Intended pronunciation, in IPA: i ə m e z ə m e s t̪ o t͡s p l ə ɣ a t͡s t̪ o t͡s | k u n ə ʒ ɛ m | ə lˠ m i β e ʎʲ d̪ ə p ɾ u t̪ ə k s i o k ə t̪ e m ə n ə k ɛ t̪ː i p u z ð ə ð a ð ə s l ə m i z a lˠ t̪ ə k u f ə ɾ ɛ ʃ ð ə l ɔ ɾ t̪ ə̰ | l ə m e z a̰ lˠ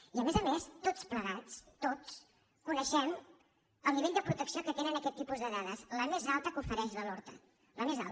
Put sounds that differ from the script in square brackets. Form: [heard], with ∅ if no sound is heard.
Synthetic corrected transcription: i ə m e z ə m e s t̪ o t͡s p l ə ɣ a t͡s t̪ o t͡s | k u n ə [ʃ] ɛ m | ə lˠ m i β e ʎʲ d̪ ə p ɾ u t̪ ə k s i o k ə t̪ e [n] ə n ə k ɛ t̪ː i p u z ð ə ð a ð ə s l ə m [e] z a lˠ t̪ ə k u f ə ɾ ɛ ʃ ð ə l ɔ ɾ t̪ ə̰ | l ə m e z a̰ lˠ